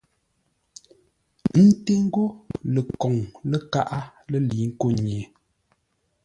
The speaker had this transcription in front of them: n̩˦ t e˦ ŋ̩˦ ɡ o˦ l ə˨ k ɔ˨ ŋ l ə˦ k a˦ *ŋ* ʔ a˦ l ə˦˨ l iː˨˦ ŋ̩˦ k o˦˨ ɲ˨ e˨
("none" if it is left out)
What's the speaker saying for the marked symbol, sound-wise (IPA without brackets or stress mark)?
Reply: none